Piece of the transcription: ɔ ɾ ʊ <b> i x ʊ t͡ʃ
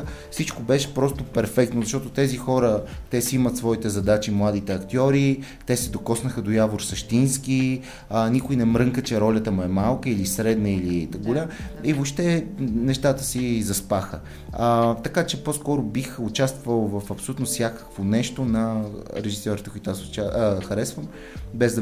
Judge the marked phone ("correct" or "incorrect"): correct